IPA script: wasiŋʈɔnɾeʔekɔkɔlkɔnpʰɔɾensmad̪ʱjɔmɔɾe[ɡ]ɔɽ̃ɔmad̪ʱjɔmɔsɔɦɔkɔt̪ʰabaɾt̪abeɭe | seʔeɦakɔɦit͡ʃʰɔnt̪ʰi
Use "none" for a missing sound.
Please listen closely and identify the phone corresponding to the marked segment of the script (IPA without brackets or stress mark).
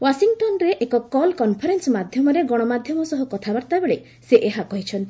ɡ